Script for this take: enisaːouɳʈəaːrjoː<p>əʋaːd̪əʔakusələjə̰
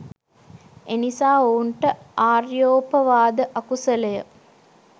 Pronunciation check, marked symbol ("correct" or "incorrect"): correct